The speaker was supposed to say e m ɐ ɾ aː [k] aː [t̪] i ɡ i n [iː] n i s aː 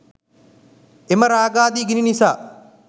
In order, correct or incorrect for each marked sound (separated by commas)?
incorrect, incorrect, incorrect